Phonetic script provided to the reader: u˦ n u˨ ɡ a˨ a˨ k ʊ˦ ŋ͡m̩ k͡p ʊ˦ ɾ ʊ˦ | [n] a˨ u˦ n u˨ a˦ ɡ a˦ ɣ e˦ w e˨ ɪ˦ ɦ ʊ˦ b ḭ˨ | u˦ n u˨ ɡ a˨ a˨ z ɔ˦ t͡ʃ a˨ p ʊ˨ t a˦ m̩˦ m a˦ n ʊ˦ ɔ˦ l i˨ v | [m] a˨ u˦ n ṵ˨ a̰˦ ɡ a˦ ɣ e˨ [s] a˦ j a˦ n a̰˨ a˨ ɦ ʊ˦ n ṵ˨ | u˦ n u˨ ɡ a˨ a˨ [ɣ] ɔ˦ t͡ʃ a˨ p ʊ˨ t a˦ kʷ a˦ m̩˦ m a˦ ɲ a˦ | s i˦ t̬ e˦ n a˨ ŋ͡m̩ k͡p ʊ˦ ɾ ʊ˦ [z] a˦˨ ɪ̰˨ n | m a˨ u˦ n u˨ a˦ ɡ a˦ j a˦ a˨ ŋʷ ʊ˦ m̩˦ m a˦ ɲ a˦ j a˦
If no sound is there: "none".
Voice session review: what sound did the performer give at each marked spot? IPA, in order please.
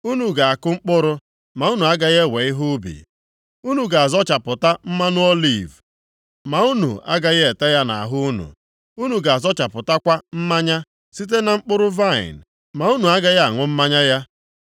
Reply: m, m, t, z, v

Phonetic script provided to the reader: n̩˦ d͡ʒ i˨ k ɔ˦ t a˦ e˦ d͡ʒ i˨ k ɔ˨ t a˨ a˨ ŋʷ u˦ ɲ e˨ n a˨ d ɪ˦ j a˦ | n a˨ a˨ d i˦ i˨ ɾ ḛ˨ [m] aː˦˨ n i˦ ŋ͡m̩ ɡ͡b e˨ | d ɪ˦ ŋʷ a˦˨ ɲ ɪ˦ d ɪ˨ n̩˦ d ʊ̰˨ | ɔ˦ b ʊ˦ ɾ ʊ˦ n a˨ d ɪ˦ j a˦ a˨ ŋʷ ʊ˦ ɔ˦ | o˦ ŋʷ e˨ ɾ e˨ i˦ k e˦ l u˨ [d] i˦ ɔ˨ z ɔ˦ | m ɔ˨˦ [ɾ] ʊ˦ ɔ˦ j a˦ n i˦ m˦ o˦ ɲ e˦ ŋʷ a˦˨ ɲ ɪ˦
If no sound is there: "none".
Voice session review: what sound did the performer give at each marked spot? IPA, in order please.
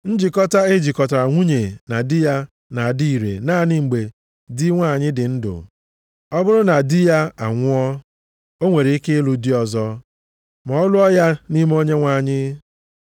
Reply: n, d, l

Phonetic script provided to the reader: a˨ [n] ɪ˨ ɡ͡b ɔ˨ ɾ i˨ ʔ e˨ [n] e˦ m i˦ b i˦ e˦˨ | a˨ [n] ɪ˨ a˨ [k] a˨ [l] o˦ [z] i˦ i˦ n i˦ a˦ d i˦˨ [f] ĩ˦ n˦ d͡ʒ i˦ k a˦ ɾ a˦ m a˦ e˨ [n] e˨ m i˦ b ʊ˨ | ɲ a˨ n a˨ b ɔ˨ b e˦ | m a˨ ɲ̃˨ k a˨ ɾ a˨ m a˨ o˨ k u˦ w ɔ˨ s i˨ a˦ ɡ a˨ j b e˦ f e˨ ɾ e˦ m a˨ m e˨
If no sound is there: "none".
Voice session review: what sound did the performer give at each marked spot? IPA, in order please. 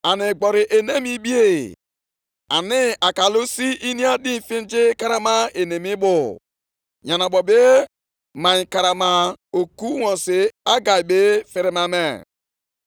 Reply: n, n, n, k, l, s, f, n

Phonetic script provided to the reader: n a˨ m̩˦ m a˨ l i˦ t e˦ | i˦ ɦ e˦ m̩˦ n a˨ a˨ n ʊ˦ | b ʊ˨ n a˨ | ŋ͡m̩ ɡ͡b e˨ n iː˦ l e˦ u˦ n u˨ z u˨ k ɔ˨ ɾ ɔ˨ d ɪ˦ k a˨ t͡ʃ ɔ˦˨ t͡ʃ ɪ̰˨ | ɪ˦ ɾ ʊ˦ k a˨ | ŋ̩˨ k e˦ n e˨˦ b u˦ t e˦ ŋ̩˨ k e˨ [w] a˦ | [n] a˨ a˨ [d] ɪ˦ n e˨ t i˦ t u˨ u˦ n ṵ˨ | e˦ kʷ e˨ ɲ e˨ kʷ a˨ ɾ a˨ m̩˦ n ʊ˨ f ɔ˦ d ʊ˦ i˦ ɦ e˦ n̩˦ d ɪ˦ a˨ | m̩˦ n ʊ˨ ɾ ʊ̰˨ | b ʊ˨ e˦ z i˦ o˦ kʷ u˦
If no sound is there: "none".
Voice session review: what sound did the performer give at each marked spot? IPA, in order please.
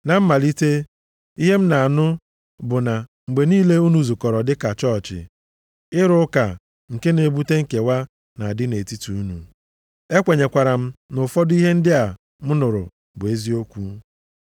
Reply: w, n, d

